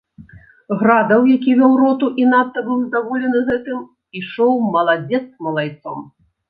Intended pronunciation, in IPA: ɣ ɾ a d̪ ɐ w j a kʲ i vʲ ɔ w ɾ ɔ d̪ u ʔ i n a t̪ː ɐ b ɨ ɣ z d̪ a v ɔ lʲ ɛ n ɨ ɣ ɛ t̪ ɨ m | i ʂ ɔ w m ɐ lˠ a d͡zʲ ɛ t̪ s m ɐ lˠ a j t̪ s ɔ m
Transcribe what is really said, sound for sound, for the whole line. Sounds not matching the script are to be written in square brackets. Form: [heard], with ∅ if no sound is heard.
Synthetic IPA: ɣ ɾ a d̪ ɐ w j a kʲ i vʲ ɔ w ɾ ɔ [t̪] u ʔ i n a t̪ː ɐ b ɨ [w] z d̪ a v ɔ lʲ ɛ n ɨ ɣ ɛ t̪ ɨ m | i ʂ ɔ w m ɐ lˠ a d͡zʲ ɛ t̪ s m ɐ lˠ a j t̪ s ɔ m